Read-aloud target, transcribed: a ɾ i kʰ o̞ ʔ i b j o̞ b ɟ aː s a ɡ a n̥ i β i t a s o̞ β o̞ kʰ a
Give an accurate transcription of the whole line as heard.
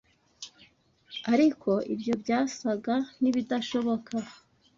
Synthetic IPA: a ɾ i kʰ o̞ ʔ i b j o̞ b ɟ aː s a ɡ a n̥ i β i d a ʃ o̞ β o̞ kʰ a

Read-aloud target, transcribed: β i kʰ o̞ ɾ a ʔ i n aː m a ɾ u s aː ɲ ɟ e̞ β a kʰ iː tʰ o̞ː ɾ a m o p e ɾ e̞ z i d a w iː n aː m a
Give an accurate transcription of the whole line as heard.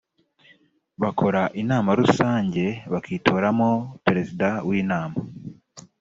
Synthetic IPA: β a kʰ o̞ ɾ a ʔ i n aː m a ɾ u s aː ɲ ɟ e̞ β a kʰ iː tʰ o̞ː ɾ a m o p e ɾ e̞ z i d a w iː n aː m a

